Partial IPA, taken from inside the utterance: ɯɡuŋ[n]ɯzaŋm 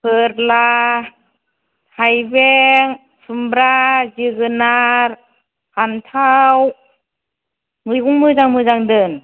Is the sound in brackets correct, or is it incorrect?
incorrect